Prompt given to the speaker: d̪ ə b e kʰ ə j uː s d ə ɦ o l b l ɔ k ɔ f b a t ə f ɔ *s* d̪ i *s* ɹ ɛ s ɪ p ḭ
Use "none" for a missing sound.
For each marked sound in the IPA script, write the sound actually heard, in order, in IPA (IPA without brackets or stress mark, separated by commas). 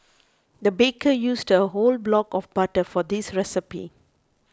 none, s